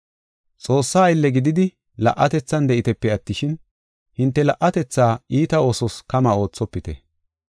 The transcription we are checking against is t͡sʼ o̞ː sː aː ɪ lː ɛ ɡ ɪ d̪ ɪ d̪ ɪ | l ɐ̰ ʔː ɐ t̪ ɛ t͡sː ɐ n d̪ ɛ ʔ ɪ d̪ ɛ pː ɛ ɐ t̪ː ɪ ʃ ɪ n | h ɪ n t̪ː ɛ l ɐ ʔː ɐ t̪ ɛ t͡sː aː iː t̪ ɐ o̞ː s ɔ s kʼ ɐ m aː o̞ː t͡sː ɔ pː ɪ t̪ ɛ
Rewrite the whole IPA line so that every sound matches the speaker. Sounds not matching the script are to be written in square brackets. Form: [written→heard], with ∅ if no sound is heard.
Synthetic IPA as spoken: t͡sʼ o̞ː sː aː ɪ lː ɛ ɡ ɪ d̪ ɪ d̪ ɪ | l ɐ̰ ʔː ɐ t̪ ɛ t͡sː ɐ n d̪ ɛ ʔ ɪ [d̪→t̪] ɛ pː ɛ ɐ t̪ː ɪ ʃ ɪ n | h ɪ n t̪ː ɛ l ɐ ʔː ɐ t̪ ɛ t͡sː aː iː t̪ ɐ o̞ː s ɔ s [kʼ→k] ɐ m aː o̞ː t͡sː ɔ pː ɪ t̪ ɛ